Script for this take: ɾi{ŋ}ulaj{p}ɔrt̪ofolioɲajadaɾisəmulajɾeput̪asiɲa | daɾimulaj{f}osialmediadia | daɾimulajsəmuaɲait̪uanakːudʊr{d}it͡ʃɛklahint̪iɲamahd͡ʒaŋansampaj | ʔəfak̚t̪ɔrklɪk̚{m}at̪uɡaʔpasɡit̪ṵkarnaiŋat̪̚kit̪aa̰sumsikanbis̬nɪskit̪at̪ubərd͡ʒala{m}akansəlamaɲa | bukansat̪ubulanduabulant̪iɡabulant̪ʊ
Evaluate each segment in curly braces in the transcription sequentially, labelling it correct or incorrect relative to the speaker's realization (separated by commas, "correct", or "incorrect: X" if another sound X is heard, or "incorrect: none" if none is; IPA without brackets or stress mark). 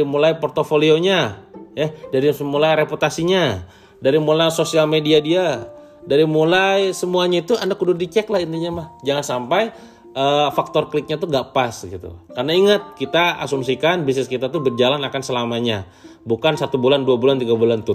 incorrect: m, correct, incorrect: s, correct, incorrect: ɲ, incorrect: n